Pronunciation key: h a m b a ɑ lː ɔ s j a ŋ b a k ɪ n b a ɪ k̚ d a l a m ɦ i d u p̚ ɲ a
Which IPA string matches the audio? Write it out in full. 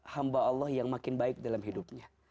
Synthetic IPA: h a m b a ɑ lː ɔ h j a ŋ m a k ɪ n b a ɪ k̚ d a l a m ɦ i d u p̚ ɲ a